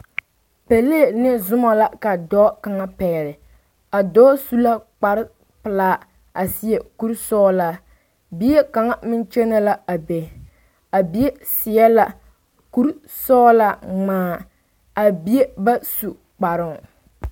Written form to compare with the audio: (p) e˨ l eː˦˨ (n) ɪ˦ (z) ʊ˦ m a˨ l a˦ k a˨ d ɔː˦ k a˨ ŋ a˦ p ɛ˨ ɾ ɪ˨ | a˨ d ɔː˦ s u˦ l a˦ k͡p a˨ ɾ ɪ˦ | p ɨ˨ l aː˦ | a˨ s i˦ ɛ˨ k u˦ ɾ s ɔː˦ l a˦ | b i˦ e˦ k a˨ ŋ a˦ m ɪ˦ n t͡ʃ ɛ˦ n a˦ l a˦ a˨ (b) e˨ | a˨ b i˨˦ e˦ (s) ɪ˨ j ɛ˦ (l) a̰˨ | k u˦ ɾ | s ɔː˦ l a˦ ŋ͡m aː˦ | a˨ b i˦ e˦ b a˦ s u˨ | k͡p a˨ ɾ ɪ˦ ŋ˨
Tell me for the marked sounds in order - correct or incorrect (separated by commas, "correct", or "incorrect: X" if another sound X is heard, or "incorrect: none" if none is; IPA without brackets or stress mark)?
correct, correct, correct, correct, correct, correct